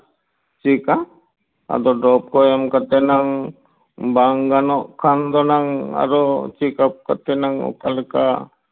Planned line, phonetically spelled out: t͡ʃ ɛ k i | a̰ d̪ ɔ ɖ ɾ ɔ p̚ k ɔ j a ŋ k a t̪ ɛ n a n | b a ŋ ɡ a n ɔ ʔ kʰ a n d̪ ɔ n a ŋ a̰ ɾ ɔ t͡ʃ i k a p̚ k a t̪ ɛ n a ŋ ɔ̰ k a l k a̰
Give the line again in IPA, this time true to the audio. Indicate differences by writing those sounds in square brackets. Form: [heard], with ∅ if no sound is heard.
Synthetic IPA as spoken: t͡ʃ [i] k [a] | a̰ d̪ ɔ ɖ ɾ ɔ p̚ k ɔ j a [m] k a t̪ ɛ n a [ŋ] | b a ŋ ɡ a n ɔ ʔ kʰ a n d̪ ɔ n a ŋ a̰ ɾ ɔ t͡ʃ i k a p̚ k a t̪ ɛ n a ŋ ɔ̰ k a l k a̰